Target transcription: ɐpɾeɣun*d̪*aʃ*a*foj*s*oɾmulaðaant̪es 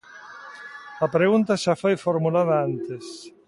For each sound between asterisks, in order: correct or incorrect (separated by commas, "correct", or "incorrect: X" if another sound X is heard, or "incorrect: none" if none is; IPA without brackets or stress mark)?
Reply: incorrect: t̪, correct, incorrect: f